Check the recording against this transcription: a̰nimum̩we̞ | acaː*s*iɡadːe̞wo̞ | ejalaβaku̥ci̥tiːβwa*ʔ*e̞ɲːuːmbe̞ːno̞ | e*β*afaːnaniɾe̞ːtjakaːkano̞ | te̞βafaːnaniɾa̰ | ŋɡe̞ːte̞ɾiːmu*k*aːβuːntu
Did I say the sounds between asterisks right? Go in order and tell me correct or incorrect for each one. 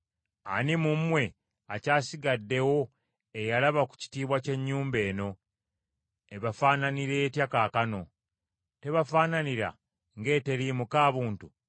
correct, incorrect: c, correct, correct

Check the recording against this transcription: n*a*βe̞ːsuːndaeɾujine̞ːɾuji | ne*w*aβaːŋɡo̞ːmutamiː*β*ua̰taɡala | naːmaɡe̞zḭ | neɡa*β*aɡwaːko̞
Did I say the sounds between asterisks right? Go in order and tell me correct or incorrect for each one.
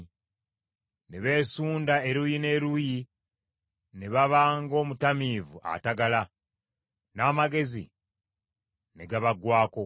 incorrect: e, incorrect: β, incorrect: v, correct

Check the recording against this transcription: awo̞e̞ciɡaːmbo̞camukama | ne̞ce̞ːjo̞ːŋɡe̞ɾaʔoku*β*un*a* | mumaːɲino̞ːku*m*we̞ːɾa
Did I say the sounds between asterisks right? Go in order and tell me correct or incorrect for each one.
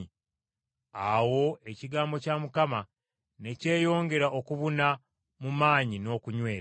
correct, correct, incorrect: ɲ

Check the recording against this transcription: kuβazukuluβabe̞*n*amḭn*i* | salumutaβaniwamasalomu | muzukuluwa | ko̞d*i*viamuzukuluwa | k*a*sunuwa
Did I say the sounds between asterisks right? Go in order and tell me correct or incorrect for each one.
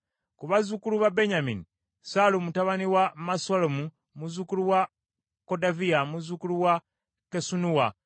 incorrect: ɲ, correct, incorrect: a, incorrect: e

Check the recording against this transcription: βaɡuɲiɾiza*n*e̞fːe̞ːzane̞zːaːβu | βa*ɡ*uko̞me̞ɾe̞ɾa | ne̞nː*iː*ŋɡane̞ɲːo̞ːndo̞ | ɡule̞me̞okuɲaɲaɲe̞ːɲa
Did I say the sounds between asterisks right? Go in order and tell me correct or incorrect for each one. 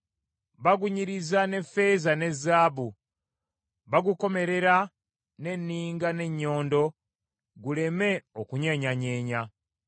correct, correct, correct

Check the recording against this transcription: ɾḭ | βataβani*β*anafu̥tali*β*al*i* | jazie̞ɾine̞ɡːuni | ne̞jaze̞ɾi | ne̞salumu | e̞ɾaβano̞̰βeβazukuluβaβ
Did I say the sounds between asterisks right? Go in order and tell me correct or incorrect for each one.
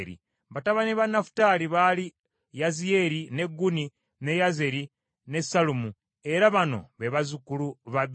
correct, correct, correct

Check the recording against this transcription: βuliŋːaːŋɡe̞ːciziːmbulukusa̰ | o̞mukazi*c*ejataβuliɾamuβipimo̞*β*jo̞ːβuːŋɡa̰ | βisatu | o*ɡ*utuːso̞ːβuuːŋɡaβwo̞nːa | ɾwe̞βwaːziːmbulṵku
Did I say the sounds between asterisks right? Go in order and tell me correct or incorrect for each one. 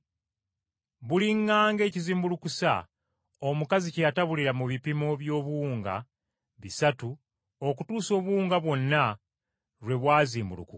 correct, correct, incorrect: k

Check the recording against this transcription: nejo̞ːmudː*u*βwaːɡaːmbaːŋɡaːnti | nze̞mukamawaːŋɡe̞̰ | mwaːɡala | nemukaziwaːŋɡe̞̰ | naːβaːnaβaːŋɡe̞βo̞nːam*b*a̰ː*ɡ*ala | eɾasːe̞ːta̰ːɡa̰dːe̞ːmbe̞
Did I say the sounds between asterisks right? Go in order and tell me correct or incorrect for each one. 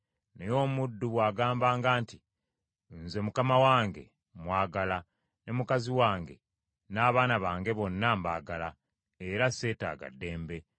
correct, correct, correct

